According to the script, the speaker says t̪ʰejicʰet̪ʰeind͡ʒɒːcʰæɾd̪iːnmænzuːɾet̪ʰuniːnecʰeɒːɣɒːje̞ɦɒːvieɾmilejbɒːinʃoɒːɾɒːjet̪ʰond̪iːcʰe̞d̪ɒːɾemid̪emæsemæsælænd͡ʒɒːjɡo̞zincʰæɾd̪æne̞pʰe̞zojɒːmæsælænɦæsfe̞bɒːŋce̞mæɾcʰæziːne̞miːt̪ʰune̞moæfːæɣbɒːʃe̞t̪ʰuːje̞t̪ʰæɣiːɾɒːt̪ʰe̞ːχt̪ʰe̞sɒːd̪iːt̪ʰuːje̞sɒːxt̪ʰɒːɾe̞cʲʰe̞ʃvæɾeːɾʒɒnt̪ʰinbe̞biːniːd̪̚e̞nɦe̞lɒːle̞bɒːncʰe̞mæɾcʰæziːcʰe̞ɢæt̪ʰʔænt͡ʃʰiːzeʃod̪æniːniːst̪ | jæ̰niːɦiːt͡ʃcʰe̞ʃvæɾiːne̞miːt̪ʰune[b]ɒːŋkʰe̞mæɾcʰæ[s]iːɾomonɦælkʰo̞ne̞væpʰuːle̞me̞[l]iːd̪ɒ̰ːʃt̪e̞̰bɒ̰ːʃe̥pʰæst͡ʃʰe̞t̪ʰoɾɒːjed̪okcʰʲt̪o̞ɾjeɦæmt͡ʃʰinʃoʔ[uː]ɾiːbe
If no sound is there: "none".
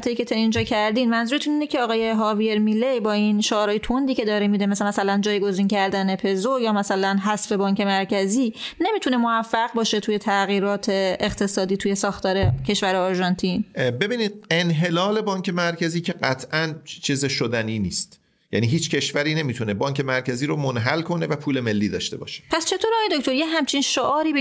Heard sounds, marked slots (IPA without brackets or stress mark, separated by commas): b, z, lː, ɒː